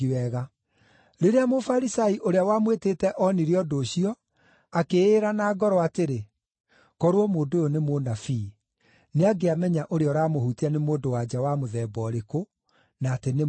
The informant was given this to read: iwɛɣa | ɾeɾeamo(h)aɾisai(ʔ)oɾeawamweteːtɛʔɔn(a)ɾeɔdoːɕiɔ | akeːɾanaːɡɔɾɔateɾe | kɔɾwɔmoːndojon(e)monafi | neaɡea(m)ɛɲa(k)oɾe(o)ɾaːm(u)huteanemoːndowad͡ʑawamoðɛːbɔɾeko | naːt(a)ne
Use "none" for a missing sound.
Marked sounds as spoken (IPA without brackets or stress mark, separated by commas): f, ʔ, i, e, m, ʔ, ɔ, o, e